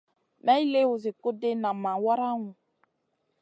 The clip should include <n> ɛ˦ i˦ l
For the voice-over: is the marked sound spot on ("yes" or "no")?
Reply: no